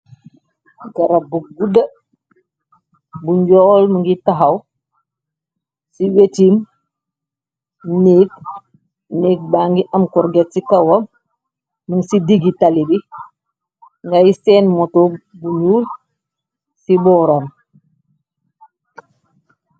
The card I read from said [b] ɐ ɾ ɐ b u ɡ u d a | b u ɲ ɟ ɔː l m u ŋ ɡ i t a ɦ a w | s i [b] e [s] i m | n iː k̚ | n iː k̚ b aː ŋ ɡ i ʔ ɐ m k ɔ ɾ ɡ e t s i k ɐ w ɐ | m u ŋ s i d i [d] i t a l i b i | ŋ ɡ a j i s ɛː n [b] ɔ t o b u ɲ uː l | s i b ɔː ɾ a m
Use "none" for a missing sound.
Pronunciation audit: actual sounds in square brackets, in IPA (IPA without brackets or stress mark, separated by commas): ɡ, w, t, ɡ, m